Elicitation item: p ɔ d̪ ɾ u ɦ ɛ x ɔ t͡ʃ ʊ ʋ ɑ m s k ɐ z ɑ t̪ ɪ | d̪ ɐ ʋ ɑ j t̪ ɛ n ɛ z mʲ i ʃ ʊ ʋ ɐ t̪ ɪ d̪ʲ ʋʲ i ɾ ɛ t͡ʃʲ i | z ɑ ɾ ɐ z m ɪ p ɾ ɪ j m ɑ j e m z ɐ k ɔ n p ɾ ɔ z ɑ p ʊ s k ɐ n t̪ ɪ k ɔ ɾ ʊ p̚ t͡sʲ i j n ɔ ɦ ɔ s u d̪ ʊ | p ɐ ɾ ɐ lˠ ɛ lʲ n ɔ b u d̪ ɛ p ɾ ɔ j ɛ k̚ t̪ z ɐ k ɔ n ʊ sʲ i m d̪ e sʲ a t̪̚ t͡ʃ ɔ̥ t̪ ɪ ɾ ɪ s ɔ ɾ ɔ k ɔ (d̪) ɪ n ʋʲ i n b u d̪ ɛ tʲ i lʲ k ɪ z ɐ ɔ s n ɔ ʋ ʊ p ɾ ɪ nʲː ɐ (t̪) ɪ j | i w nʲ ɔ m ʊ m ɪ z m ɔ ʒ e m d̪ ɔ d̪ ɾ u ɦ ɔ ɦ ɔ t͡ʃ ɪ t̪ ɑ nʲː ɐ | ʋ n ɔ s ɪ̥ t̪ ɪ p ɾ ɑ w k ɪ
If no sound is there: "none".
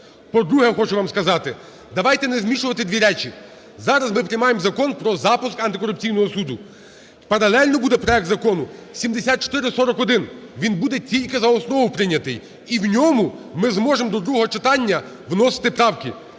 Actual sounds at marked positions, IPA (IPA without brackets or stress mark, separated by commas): d̪, t̪